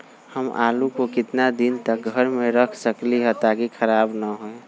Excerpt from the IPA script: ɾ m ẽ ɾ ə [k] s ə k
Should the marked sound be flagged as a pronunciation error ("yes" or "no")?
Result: yes